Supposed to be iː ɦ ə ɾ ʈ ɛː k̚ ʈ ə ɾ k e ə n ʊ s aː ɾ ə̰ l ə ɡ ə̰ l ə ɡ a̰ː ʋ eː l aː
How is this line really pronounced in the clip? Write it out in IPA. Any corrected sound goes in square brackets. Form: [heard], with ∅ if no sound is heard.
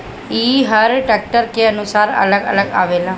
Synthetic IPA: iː ɦ ə ɾ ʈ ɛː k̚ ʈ ə ɾ k e ə n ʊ s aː ɾ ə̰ l ə ɡ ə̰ l ə ɡ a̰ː ʋ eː l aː